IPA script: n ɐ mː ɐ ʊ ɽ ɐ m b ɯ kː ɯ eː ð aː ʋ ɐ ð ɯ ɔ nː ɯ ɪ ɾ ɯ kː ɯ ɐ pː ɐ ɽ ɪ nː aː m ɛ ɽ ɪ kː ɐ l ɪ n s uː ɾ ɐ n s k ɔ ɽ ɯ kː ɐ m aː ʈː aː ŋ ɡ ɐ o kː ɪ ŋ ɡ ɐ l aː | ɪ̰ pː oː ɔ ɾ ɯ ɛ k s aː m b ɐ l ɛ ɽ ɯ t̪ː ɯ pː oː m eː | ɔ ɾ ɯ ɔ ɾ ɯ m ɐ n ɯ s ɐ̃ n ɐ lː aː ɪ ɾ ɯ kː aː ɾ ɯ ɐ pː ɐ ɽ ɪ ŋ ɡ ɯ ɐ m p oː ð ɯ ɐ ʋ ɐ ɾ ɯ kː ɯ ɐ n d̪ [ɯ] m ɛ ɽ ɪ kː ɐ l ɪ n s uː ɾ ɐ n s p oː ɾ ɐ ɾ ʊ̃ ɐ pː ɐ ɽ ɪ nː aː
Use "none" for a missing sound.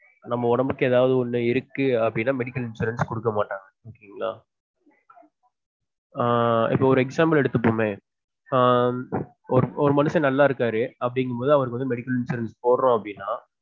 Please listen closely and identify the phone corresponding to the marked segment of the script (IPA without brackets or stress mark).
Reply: ɯ